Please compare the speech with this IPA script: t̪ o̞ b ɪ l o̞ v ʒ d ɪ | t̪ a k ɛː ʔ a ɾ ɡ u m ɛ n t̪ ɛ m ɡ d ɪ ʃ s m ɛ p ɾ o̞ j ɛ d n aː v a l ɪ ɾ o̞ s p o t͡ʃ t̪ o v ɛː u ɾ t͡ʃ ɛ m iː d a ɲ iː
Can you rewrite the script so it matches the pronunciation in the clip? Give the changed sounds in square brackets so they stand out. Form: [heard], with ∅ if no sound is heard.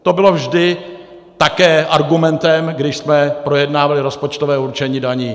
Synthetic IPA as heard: t̪ o̞ b ɪ l o̞ v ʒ d ɪ | t̪ a k ɛː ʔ a ɾ ɡ u m ɛ n t̪ ɛ m ɡ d ɪ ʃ s m ɛ p ɾ o̞ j ɛ d n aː v a l ɪ ɾ o̞ s p o t͡ʃ t̪ o v ɛː u ɾ t͡ʃ ɛ [ɲ] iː d a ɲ iː